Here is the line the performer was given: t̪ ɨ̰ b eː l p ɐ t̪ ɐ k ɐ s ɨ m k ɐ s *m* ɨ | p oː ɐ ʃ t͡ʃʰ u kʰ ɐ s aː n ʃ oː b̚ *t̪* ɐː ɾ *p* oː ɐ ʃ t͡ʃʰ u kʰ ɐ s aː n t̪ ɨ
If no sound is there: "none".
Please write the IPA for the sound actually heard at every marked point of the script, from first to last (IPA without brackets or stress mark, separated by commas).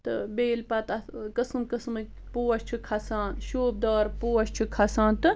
m, d̪, p